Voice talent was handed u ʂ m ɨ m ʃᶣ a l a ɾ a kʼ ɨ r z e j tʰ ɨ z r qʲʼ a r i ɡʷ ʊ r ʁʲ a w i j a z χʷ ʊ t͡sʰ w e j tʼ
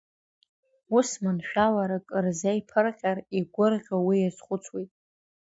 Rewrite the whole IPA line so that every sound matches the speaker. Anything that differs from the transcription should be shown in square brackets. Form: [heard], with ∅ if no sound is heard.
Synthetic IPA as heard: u [s] m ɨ [n] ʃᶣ a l a ɾ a kʼ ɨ r z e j [pʰ] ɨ [∅] r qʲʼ a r i ɡʷ ʊ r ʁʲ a w i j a z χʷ ʊ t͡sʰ w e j tʼ